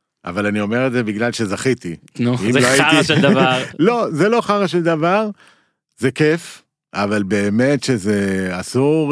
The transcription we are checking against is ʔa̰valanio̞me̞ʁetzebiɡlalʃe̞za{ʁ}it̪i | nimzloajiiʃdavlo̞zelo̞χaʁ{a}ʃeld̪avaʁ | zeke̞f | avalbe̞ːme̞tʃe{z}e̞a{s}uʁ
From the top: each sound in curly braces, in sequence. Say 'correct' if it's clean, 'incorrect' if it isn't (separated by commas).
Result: incorrect, correct, correct, correct